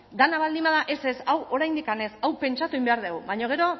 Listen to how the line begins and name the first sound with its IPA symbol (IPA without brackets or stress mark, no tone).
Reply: d̪